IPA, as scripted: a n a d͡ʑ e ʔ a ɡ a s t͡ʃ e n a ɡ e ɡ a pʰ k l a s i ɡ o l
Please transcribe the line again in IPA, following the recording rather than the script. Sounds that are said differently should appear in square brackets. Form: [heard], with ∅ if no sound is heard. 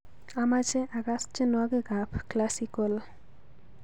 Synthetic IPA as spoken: a [m] a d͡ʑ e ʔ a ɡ a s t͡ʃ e n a ɡ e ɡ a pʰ k l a s i [k] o l